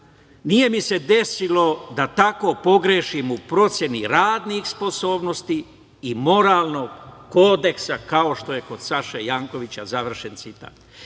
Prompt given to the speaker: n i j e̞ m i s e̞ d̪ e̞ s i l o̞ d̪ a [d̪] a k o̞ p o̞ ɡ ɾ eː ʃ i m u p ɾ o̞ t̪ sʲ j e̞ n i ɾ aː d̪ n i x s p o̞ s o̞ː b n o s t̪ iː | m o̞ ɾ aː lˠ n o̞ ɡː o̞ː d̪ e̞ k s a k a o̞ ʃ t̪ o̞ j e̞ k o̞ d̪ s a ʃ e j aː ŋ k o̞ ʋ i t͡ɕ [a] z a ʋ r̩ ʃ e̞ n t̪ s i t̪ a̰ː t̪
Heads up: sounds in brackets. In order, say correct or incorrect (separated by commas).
incorrect, correct